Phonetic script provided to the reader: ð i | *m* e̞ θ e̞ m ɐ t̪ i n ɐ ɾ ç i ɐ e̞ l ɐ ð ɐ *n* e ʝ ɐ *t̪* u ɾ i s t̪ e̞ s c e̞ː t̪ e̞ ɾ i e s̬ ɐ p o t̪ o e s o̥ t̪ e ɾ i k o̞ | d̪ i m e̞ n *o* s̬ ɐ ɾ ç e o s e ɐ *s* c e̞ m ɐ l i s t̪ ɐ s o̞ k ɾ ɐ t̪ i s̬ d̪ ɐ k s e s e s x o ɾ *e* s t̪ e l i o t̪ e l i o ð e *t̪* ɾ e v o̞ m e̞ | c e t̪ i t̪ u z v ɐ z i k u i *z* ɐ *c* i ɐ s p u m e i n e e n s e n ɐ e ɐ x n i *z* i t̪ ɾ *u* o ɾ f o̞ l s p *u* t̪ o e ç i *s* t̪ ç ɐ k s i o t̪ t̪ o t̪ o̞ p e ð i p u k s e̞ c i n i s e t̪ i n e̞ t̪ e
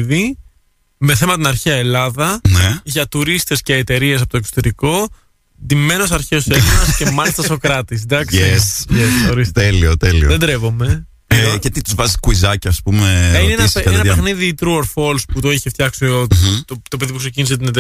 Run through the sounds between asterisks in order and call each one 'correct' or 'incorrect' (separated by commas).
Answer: correct, correct, correct, correct, correct, incorrect, incorrect, correct, correct, incorrect, correct, correct, incorrect